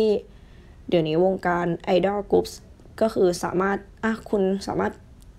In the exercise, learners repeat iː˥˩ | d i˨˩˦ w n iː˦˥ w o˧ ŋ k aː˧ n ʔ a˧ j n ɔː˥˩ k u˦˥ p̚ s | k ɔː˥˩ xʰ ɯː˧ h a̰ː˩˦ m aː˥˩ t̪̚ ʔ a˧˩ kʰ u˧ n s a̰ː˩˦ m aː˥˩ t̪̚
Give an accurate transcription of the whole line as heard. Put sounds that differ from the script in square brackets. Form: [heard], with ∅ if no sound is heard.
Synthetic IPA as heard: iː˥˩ | d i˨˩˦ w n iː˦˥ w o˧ ŋ k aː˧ n ʔ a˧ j [d] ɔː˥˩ k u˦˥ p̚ s | k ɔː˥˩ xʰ ɯː˧ [s] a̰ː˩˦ m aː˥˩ t̪̚ ʔ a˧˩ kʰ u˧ n s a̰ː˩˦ m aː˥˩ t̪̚